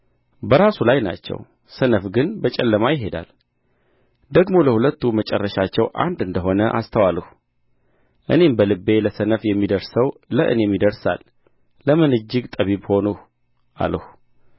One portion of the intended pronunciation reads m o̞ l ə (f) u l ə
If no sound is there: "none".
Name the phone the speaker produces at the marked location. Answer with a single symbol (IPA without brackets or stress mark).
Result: h